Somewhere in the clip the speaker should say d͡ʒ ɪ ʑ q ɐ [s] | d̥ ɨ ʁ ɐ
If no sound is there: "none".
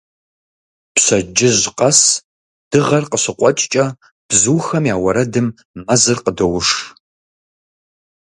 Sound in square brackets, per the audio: s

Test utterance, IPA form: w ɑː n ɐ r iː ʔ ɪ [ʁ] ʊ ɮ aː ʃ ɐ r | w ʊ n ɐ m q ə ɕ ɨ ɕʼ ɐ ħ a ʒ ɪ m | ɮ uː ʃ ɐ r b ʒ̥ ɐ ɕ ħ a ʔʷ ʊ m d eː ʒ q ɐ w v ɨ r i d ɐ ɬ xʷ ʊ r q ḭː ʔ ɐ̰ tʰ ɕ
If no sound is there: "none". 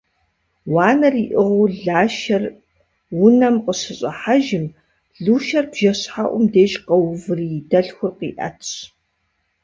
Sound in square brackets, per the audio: ʁ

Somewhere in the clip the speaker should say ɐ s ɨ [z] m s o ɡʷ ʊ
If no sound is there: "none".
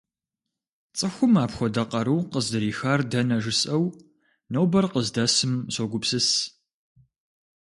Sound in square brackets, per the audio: none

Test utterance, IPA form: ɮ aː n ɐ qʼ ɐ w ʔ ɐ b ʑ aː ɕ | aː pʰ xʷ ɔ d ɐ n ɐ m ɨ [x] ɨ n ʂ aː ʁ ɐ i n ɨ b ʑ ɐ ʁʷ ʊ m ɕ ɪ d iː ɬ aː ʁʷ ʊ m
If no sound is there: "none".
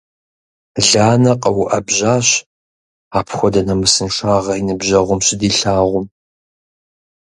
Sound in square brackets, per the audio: s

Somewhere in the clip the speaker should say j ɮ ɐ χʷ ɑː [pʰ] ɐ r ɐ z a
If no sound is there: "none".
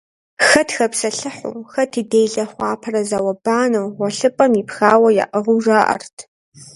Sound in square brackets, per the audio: pʰ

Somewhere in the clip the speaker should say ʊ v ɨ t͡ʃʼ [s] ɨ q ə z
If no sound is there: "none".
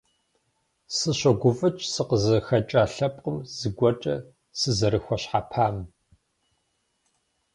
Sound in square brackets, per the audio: s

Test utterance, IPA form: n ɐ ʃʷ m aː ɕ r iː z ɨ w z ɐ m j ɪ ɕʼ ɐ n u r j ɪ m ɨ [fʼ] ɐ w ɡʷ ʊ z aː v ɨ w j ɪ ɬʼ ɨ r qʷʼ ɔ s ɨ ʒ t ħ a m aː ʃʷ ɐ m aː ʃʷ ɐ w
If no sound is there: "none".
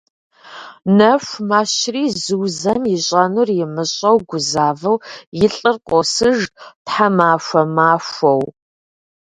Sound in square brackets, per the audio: ɕʼ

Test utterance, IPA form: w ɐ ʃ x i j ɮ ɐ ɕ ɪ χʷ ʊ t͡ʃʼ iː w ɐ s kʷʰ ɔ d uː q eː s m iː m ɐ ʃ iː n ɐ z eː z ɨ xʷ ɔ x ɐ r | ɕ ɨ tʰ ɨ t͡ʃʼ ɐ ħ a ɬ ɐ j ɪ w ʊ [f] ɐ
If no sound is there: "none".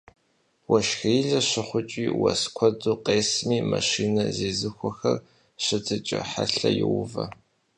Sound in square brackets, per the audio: v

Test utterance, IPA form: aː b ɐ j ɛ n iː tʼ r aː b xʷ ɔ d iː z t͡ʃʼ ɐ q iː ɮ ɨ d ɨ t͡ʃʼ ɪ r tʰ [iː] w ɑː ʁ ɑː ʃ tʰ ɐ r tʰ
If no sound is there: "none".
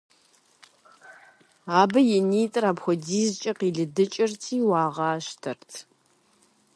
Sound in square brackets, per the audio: iː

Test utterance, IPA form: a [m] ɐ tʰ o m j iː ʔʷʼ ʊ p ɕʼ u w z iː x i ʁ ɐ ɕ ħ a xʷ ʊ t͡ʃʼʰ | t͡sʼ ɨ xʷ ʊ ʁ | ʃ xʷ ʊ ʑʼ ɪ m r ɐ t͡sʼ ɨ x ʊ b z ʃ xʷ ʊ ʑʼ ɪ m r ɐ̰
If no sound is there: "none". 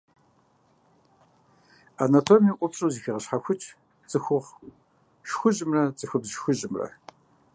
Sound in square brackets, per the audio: n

